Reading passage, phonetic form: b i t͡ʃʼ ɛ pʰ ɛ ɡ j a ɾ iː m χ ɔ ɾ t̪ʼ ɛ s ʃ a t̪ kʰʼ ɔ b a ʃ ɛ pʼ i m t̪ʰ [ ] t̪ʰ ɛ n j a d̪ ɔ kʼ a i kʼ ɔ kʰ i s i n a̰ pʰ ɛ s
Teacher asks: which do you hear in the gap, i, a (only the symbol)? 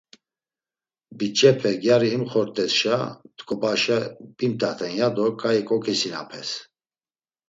a